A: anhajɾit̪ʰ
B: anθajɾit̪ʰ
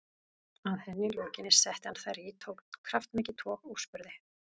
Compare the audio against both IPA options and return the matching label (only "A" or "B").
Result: B